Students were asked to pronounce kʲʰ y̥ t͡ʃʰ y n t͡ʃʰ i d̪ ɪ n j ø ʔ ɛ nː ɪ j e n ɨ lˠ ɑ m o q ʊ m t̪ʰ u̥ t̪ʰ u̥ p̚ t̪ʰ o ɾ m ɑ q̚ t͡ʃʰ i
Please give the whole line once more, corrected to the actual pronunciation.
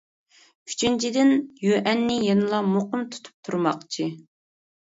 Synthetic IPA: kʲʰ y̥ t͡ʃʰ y n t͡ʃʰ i d̪ ɪ n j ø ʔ ɛ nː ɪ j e n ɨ lˠ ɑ m o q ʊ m t̪ʰ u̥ t̪ʰ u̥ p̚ t̪ʰ u ɾ m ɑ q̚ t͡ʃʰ i